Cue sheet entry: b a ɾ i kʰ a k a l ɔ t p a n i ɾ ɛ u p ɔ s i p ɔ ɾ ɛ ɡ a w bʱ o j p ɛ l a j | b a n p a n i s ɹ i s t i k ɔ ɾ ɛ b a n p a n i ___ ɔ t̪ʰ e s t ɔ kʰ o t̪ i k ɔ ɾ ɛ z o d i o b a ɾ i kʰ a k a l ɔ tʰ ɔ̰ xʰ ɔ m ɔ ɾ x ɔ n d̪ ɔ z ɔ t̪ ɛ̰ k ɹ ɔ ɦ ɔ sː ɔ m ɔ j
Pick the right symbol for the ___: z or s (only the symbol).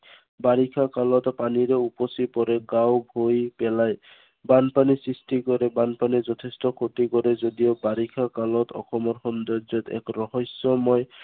z